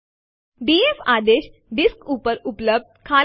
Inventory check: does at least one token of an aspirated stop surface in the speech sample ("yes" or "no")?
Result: yes